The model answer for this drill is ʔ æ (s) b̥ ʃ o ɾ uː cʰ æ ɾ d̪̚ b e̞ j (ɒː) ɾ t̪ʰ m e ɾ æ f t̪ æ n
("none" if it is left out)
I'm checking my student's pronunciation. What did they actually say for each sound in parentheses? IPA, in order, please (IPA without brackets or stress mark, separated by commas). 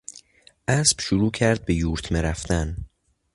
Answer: s, uː